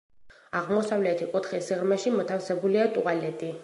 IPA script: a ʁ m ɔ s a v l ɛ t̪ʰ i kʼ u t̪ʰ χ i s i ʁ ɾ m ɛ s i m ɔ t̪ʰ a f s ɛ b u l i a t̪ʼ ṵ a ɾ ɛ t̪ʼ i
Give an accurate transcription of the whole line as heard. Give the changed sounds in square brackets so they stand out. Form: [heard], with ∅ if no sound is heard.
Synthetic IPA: a ʁ m ɔ s a v l ɛ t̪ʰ i kʼ u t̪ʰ χ i s i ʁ ɾ m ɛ [ʃ] i m ɔ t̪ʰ a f s ɛ b u l i a t̪ʼ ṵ a [l] ɛ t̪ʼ i